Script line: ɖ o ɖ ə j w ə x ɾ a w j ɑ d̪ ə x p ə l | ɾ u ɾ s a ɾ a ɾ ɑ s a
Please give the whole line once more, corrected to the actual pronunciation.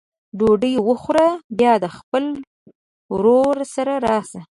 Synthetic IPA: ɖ o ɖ ə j w ə x ɾ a b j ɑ d̪ ə x p ə l | ɾ o ɾ s a ɾ a ɾ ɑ s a